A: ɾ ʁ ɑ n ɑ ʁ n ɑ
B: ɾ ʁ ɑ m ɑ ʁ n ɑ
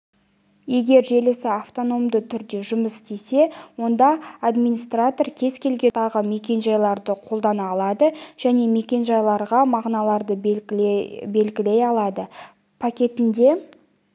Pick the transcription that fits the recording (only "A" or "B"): B